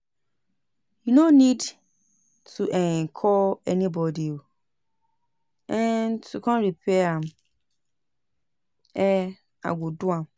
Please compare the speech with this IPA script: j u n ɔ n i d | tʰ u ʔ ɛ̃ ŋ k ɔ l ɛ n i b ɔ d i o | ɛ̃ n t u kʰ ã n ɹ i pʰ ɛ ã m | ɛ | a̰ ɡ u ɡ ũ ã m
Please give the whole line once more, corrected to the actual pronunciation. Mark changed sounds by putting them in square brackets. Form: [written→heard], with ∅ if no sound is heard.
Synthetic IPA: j u n [ɔ→o] n i d | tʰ u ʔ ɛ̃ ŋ [k→kʰ] ɔ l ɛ n i b ɔ d i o | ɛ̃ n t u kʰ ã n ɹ i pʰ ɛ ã m | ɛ | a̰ ɡ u [ɡ→d] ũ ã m